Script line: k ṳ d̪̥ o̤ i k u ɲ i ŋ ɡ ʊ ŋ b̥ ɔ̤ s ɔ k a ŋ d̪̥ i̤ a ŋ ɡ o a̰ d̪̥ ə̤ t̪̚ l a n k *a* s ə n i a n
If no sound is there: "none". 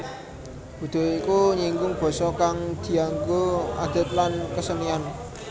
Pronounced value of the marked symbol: ə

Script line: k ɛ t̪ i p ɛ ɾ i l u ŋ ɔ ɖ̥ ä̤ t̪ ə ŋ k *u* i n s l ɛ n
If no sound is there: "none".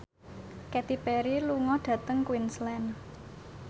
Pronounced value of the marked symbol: w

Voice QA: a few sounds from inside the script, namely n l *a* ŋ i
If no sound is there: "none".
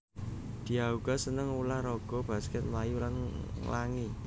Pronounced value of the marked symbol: a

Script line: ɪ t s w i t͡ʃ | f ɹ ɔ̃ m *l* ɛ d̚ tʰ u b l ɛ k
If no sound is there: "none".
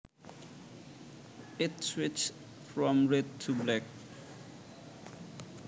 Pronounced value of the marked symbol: ɹ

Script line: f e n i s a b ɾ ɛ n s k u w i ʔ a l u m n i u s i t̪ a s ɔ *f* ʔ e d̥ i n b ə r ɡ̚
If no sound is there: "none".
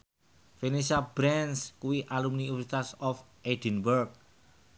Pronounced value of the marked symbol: f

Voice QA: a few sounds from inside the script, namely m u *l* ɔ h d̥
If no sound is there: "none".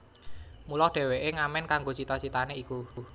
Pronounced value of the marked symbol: l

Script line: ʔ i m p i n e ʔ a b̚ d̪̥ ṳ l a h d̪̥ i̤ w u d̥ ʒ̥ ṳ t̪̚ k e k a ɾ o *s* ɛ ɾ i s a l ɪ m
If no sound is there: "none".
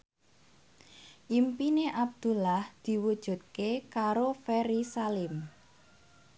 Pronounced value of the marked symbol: f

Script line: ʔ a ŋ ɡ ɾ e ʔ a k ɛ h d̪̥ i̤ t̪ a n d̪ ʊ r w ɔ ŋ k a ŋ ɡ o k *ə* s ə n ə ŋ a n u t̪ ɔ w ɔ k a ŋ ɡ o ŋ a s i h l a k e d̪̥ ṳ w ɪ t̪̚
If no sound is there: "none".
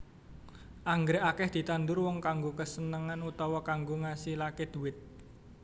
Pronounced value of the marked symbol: ə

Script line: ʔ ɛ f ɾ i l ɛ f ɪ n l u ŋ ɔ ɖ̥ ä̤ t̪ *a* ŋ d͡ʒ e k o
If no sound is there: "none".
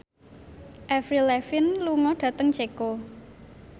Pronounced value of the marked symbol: ə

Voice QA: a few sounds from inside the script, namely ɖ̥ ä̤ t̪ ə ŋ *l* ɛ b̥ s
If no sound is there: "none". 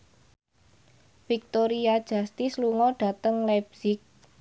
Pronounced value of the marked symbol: l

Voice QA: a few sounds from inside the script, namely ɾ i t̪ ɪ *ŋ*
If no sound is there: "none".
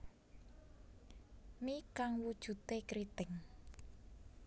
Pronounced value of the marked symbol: ŋ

